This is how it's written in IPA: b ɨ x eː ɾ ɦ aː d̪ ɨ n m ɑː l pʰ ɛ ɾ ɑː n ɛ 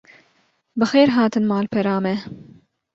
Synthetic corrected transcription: b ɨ x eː ɾ ɦ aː t̪ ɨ n m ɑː l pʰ ɛ ɾ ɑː m ɛ